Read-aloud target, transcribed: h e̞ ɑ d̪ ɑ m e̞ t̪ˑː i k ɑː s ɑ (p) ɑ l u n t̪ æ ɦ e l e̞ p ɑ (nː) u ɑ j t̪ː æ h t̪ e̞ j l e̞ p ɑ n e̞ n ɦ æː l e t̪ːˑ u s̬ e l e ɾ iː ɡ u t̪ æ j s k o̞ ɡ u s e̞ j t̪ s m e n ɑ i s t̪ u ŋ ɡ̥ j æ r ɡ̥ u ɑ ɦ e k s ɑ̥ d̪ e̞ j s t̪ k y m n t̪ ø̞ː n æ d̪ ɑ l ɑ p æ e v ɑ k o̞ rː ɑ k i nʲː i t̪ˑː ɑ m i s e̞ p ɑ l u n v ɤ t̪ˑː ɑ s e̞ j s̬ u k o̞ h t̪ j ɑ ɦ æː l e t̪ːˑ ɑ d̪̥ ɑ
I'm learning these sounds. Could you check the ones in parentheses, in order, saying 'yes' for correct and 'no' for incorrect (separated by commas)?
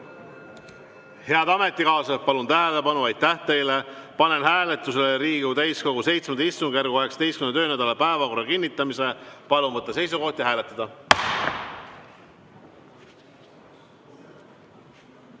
yes, no